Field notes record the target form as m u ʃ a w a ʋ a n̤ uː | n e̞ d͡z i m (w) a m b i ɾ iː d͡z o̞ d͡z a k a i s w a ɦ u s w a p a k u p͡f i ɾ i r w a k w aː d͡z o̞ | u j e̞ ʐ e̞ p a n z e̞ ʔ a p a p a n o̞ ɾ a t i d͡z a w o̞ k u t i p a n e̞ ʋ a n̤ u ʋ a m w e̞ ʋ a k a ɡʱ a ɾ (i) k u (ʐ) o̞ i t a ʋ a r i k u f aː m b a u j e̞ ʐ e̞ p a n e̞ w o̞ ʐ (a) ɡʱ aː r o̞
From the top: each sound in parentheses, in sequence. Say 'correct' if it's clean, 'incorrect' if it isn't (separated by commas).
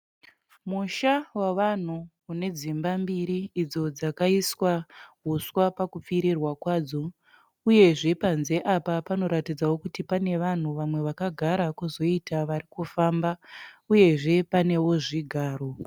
incorrect, incorrect, incorrect, incorrect